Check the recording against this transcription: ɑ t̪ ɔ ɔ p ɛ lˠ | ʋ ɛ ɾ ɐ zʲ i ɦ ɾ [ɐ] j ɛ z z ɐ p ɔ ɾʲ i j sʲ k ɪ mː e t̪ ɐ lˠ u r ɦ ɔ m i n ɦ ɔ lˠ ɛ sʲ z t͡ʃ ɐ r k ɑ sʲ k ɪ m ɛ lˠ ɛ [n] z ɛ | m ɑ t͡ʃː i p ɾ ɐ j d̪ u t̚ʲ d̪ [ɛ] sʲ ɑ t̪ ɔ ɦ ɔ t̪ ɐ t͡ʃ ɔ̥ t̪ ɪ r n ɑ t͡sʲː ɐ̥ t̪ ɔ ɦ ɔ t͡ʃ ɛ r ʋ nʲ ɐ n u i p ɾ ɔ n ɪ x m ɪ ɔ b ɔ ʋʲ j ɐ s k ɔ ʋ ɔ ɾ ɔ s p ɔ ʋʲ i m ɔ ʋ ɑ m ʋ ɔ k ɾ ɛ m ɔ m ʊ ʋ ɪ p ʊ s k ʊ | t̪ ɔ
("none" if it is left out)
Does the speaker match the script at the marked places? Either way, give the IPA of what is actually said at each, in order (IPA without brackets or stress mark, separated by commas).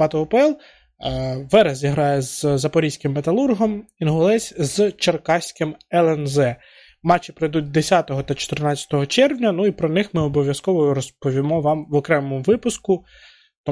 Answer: ɑ, n, e